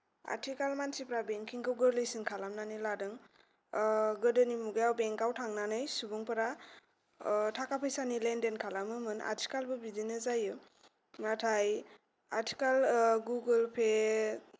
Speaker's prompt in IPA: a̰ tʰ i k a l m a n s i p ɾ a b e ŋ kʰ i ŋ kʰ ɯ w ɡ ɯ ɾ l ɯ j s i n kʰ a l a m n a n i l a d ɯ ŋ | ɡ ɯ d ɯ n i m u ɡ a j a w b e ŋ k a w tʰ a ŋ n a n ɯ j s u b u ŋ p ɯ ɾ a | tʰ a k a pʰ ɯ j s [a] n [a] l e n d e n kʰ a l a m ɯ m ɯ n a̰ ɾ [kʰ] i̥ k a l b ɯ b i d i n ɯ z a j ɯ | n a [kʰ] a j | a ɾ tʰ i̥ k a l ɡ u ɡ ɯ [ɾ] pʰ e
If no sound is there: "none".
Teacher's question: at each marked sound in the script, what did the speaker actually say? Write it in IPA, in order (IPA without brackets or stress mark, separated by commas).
a, i, tʰ, tʰ, l